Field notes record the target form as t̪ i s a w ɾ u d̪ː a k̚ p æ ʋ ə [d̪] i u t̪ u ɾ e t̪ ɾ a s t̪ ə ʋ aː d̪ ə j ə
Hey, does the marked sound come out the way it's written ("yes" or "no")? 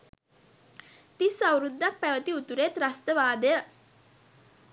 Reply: no